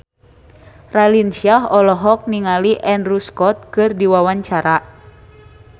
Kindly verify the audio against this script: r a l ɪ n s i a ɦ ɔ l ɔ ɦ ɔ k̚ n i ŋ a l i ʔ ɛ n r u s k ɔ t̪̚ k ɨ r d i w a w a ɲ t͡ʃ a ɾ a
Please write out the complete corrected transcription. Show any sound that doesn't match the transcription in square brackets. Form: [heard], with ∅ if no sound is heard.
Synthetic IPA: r a l [i] n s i a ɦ ɔ l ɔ ɦ ɔ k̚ n i ŋ a l i ʔ ɛ n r u s k ɔ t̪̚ k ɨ r d i w a w a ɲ t͡ʃ a ɾ a